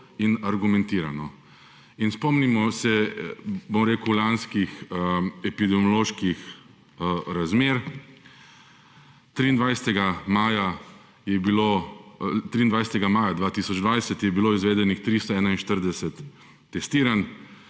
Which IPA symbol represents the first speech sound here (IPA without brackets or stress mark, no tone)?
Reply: i